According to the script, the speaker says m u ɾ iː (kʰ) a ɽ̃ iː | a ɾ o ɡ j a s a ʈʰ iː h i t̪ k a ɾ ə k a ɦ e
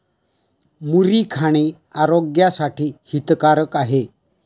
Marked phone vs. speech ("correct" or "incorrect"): correct